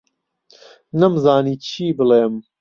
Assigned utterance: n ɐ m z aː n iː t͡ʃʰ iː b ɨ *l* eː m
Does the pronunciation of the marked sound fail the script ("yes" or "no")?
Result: no